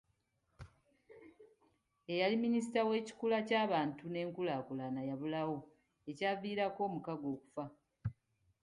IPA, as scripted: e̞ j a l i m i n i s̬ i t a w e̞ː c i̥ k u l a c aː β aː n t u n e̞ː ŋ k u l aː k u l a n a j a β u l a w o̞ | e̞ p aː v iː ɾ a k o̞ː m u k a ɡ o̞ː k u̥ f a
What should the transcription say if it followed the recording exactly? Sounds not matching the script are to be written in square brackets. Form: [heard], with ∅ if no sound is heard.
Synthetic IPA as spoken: e̞ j a l i m i n i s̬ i t a w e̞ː c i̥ k u l a c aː β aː n t u n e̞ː ŋ k u l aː k u l a n a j a β u l a w o̞ | e̞ [c] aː v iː ɾ a k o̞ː m u k a ɡ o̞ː k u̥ f a